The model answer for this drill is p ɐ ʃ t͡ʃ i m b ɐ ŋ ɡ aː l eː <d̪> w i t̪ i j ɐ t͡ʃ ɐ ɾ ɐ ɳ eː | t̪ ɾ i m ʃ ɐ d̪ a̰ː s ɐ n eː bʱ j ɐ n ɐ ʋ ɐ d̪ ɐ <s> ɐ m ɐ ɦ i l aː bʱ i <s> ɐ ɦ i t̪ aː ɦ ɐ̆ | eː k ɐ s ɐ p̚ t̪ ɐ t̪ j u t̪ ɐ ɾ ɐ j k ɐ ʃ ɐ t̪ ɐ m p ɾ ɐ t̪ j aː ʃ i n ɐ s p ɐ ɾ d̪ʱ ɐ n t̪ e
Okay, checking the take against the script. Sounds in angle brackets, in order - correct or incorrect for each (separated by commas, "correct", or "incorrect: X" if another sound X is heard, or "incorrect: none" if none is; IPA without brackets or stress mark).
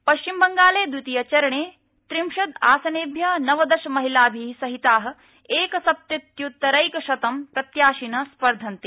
correct, incorrect: ʃ, correct